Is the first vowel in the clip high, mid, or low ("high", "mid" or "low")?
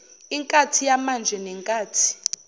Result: high